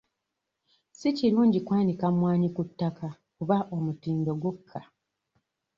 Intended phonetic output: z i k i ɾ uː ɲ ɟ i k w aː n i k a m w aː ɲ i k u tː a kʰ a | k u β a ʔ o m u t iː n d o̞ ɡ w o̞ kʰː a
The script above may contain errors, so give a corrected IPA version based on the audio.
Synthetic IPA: s i c i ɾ uː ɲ ɟ i k w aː n i k a m w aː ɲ i k u tː a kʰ a | k u β a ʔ o m u t iː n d o̞ ɡ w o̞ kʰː a